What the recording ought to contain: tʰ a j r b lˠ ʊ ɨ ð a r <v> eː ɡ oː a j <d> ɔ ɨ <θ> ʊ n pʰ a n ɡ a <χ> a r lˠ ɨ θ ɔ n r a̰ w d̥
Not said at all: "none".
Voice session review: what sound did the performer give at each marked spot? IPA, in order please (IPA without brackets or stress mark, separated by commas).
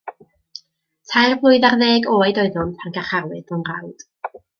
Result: ð, d, ð, χ